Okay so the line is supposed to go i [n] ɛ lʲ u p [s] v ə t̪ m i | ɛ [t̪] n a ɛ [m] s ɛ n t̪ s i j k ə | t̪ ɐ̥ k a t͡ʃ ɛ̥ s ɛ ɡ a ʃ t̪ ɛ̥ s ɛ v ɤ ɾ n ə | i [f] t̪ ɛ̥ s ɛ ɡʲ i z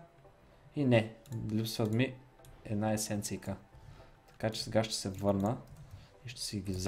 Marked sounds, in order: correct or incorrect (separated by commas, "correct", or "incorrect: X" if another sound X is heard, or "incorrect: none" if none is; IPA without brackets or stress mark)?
correct, correct, incorrect: d̪, incorrect: none, incorrect: ʃ